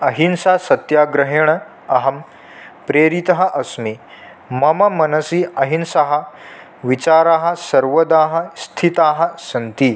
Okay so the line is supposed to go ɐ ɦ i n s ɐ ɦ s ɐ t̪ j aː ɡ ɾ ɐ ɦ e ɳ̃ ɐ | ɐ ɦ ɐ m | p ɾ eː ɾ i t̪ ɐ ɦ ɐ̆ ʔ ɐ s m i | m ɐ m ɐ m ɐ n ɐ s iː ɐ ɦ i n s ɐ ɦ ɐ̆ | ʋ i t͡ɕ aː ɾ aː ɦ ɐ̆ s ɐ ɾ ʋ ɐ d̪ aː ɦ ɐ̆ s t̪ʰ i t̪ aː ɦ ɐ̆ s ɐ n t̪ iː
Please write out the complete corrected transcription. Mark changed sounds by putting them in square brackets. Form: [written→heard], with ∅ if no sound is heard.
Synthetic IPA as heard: ɐ ɦ i n s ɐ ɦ s ɐ t̪ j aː ɡ ɾ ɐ ɦ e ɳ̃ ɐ | ɐ ɦ ɐ m | p ɾ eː ɾ i t̪ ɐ ɦ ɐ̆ ʔ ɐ s m i | m ɐ m ɐ m ɐ n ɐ s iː ɐ ɦ i n s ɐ ɦ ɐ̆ | ʋ i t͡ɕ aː ɾ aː ɦ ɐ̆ s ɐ ɾ ʋ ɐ d̪ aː ɦ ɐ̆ s t̪ʰ i t̪ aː ɦ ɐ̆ s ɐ n t̪ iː